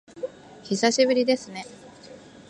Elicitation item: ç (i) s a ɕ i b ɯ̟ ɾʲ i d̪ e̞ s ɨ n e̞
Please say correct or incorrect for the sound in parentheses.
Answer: correct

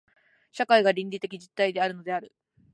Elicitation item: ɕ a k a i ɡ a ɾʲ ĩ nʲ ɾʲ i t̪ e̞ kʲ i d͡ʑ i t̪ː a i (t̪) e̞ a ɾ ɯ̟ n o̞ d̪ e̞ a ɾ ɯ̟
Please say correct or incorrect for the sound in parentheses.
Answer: incorrect: d̪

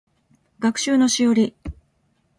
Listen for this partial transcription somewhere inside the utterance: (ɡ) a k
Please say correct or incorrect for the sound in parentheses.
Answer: correct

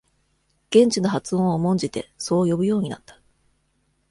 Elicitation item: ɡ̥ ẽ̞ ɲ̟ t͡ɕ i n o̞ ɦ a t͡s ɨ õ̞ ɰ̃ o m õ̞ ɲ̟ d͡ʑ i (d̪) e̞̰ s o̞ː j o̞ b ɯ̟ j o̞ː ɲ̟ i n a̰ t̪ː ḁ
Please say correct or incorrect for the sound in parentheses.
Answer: incorrect: t̪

